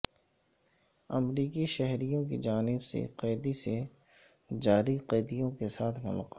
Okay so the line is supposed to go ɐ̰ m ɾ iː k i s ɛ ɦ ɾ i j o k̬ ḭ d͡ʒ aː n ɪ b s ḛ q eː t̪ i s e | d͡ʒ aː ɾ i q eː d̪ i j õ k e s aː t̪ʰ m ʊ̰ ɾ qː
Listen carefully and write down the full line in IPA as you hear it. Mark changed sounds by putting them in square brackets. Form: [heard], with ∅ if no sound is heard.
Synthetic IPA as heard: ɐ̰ m ɾ iː k i [ʃ] ɛ ɦ ɾ i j [õ] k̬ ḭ d͡ʒ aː n ɪ b s ḛ q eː [d̪] i s e | d͡ʒ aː ɾ i q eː d̪ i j õ k e s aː t̪ʰ m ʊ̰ [l] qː